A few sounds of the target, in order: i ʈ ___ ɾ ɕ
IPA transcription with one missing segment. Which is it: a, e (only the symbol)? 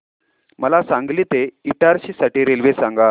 a